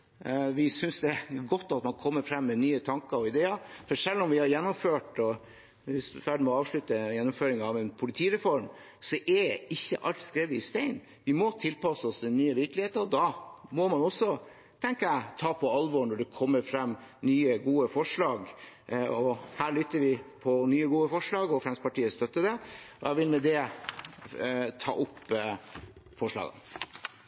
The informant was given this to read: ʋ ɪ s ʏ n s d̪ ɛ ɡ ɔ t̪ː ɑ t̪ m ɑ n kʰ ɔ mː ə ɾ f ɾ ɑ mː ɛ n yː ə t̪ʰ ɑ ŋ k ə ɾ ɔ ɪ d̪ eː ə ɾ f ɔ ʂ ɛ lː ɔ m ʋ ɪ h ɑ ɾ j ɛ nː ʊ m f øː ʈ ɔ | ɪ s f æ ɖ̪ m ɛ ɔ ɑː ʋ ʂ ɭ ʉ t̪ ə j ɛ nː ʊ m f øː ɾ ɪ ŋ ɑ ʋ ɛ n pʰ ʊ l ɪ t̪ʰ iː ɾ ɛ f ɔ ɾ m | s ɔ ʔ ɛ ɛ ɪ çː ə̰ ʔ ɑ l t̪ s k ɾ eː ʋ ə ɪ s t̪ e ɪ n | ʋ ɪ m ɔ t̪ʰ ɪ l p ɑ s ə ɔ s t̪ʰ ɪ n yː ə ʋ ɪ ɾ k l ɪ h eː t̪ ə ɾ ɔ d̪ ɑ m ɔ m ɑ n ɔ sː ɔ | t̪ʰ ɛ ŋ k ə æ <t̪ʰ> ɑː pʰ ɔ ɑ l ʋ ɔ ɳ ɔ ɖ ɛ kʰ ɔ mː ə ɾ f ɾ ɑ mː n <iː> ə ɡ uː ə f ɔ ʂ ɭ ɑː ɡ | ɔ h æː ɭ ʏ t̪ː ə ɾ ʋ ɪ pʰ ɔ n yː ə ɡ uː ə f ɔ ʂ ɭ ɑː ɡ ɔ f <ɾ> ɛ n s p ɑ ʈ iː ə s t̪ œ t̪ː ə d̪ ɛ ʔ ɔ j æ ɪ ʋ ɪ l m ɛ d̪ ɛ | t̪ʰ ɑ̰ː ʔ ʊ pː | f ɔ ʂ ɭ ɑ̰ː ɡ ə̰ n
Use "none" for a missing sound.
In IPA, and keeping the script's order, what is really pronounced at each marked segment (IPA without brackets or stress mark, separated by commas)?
t̪ʰ, yː, ɾ